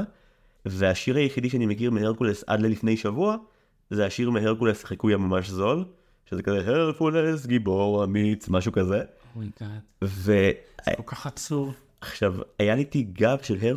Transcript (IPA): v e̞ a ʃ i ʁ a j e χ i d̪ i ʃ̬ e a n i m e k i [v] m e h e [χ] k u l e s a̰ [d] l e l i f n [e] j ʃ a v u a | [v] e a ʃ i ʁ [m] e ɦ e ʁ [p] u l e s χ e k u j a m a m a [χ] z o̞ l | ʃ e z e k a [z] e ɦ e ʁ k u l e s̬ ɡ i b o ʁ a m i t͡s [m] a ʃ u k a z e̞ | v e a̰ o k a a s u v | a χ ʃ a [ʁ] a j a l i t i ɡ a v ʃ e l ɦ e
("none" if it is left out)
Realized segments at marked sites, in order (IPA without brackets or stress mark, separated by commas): ʁ, ʁ, d, e, z, m, k, ʃ, z, m, v